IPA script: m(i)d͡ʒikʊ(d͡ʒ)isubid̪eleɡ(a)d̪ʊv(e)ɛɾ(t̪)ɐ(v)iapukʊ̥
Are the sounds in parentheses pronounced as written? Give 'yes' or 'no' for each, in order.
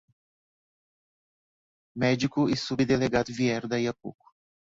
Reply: no, no, yes, no, no, no

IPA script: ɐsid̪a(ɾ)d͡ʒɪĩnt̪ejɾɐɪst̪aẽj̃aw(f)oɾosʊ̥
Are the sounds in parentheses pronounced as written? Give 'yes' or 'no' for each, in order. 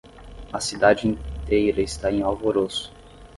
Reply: no, no

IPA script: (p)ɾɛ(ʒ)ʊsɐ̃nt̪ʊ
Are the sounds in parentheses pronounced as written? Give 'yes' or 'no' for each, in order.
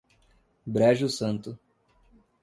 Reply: no, yes

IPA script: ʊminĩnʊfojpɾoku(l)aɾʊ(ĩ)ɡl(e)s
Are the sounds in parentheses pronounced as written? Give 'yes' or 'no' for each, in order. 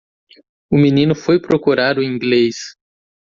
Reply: no, yes, yes

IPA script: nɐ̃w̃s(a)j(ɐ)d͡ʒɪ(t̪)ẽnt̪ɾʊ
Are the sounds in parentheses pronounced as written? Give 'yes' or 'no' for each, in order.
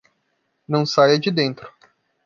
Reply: yes, yes, no

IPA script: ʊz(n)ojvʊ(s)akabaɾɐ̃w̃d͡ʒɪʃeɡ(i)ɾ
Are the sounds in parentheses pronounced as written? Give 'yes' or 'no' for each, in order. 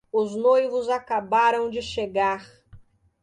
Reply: yes, no, no

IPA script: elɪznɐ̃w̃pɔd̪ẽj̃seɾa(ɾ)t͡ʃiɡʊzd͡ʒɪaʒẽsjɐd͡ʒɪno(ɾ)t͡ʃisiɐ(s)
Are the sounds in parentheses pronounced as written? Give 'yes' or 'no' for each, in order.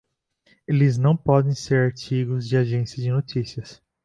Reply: yes, no, yes

